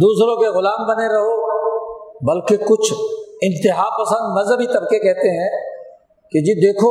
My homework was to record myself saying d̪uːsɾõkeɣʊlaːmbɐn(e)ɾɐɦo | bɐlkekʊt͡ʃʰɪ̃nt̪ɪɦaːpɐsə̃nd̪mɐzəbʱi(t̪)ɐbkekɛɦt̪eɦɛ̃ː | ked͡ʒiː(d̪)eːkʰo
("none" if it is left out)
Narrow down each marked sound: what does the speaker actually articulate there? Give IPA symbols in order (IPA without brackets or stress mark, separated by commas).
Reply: e, t̪, d̪